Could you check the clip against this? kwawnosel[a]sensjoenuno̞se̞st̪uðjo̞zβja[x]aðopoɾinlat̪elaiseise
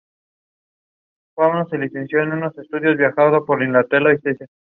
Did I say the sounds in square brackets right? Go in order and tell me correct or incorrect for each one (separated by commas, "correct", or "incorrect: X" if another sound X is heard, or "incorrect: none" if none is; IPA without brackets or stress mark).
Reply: incorrect: i, correct